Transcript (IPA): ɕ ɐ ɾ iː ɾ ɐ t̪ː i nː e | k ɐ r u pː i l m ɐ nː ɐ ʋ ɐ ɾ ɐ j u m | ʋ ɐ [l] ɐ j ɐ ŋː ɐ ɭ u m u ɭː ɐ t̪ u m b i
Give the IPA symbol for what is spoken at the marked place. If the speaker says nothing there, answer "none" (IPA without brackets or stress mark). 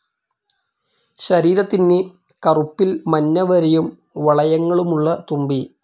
ɭ